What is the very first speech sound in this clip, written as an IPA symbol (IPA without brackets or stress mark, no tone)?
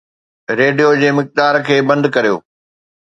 ɾ